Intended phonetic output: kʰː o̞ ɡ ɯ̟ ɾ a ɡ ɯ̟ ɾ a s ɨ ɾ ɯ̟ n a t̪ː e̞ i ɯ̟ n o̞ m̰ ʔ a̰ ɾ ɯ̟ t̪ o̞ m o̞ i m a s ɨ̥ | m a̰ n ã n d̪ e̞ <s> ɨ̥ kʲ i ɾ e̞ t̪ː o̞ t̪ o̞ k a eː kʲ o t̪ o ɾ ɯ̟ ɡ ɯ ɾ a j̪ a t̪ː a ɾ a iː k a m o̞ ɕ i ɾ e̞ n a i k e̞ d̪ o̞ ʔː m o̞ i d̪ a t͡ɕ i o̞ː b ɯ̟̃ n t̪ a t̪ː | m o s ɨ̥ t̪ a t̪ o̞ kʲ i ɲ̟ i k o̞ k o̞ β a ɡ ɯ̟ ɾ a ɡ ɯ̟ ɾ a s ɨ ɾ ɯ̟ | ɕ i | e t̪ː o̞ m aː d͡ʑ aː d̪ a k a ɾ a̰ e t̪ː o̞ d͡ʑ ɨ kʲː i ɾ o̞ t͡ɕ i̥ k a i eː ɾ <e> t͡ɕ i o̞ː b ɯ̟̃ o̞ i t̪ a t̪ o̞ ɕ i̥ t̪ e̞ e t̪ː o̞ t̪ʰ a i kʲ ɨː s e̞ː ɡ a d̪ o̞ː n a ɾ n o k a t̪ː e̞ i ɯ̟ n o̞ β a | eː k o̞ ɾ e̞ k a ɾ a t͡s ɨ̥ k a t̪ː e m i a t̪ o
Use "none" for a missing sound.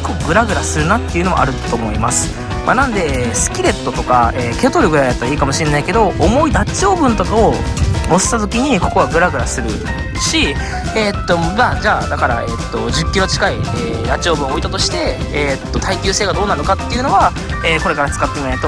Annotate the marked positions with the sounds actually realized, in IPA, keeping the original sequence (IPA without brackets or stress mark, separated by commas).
s, a